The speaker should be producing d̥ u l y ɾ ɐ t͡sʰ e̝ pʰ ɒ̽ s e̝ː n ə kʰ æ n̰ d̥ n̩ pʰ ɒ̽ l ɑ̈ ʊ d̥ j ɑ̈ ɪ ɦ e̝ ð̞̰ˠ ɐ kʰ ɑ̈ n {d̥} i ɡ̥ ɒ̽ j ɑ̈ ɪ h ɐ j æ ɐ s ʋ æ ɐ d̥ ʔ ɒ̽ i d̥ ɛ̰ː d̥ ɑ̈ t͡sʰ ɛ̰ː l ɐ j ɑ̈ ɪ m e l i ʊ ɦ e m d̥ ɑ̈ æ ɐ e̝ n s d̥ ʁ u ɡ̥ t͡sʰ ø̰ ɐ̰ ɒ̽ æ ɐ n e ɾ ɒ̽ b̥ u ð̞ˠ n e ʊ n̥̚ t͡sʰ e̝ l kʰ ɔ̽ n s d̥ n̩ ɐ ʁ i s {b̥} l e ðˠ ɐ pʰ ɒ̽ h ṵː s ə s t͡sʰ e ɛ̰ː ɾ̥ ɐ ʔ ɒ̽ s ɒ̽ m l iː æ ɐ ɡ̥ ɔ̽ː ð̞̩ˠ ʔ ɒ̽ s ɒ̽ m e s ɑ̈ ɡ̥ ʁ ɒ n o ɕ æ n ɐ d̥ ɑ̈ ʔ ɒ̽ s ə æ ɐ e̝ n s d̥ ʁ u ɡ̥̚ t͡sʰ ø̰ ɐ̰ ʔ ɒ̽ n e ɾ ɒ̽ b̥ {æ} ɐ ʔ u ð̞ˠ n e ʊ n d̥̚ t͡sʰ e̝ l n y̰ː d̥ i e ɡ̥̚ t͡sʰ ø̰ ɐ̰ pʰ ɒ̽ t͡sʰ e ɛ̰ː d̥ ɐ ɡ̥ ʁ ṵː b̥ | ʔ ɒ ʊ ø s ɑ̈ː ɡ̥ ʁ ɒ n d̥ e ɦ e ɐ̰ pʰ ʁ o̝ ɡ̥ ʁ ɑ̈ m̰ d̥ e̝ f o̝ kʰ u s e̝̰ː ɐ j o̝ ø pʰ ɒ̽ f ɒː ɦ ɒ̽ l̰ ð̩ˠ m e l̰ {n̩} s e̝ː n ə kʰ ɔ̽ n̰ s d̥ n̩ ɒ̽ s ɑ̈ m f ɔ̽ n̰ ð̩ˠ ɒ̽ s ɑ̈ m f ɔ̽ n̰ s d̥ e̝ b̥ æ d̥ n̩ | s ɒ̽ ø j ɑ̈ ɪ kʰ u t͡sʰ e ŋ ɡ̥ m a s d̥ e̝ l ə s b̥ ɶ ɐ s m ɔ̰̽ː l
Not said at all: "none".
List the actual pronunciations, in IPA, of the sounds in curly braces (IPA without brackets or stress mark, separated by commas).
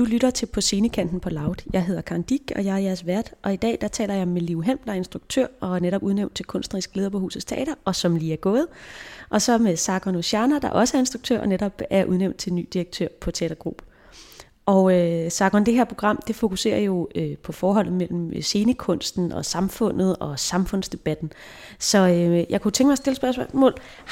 d̥, ɡ̥, æ, m̩